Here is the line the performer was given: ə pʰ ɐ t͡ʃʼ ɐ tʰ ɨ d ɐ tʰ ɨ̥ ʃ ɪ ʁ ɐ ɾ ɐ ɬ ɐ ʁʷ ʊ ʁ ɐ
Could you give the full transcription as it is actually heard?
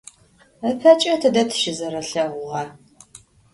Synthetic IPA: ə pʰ ɐ t͡ʃʼ ɐ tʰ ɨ d ɐ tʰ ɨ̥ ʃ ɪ z ɐ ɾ ɐ ɬ ɐ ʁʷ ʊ ʁ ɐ